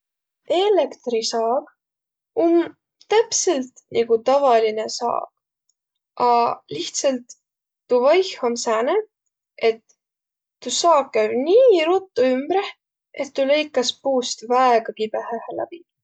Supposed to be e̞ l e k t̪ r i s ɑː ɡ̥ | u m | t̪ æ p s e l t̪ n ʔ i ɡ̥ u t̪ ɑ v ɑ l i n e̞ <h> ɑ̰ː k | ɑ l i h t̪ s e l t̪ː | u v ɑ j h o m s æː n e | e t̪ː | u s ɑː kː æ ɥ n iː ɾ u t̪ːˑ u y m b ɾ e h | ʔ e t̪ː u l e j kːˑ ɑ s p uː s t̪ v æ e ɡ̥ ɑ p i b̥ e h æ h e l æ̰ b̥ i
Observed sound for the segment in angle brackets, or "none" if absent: s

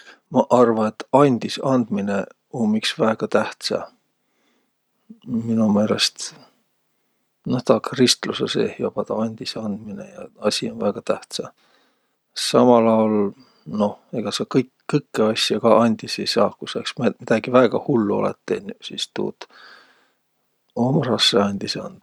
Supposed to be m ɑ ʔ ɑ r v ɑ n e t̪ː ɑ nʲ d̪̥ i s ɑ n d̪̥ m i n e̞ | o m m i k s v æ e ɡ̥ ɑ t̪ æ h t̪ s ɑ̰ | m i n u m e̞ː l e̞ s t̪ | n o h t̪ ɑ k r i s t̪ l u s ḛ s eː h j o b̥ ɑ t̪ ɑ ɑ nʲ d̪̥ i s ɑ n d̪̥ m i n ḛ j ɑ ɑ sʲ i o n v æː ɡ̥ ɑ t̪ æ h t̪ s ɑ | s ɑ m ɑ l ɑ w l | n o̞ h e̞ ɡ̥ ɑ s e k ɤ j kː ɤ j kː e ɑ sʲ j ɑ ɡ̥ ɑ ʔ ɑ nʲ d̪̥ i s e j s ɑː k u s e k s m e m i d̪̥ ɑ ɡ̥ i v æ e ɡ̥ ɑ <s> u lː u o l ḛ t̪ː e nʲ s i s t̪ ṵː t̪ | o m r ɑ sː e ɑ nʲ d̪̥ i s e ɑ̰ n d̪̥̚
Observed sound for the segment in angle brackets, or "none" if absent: h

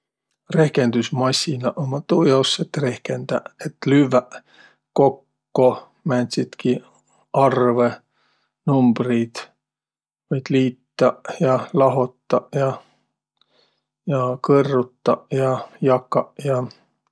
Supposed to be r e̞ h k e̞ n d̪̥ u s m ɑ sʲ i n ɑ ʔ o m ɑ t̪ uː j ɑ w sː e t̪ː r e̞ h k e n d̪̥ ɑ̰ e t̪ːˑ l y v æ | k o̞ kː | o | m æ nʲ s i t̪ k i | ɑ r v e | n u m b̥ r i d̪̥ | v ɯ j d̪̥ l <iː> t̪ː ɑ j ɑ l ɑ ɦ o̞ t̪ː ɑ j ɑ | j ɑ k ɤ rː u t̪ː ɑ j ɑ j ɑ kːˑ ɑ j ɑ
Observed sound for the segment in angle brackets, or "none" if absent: iː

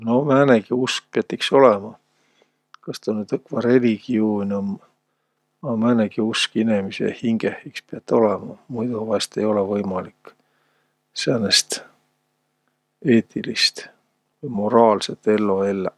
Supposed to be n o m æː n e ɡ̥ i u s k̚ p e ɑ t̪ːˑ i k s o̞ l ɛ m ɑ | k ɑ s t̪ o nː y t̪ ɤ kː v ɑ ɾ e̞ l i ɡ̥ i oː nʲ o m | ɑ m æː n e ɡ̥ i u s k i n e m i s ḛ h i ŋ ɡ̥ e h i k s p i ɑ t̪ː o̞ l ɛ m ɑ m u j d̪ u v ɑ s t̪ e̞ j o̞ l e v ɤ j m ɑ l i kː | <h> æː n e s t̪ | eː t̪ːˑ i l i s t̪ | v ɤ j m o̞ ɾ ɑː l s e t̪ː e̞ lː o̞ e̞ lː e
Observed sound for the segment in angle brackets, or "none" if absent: s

